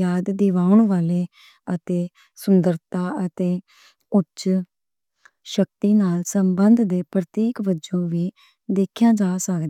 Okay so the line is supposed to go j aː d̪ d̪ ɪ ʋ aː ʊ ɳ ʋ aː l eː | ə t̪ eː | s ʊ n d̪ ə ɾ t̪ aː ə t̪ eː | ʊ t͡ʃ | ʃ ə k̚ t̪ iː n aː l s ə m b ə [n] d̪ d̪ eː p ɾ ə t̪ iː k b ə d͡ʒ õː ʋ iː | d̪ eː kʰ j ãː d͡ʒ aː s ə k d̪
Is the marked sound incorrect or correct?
correct